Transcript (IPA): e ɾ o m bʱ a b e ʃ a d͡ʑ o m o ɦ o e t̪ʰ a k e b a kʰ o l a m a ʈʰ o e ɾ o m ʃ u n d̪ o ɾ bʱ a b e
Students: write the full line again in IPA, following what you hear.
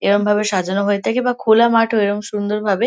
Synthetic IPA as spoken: e ɾ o m bʱ a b e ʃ a d͡ʑ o n o ɦ o e t̪ʰ a k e b a kʰ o l a m a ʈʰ o e ɾ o m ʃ u n d̪ o ɾ bʱ a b e